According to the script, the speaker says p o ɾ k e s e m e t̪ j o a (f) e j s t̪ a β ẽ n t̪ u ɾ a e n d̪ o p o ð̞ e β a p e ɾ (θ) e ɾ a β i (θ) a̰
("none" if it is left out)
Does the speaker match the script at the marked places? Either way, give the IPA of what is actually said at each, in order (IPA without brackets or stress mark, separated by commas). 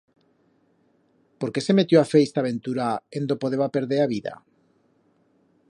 f, ð, ð